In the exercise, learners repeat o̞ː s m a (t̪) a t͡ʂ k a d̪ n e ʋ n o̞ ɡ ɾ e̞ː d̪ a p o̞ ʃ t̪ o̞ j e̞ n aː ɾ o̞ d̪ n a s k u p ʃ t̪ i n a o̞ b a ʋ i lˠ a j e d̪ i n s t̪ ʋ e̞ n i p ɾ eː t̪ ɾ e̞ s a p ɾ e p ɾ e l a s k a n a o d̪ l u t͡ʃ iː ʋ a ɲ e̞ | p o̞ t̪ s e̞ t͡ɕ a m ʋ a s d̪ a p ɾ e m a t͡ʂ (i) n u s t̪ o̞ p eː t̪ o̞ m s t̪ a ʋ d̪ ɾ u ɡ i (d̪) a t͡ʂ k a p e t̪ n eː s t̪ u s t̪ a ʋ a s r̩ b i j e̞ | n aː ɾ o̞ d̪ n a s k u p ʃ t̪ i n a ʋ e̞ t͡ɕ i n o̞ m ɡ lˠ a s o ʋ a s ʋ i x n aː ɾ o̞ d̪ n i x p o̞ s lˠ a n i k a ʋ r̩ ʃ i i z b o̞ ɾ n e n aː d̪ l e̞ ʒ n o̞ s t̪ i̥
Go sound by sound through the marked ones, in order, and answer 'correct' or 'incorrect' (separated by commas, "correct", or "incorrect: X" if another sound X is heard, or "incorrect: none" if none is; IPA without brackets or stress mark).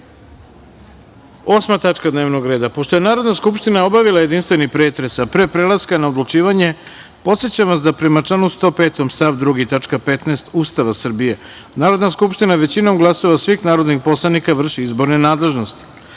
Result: correct, incorrect: a, incorrect: t̪